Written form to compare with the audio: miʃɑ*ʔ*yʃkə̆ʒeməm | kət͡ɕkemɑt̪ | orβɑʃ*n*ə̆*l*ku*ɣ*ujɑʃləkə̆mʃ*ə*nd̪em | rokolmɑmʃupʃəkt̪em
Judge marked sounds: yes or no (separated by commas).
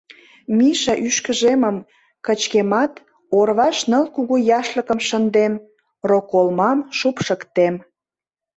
yes, yes, yes, yes, yes